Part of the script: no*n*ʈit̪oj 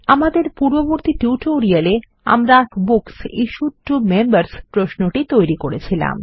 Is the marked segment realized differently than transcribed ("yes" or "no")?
yes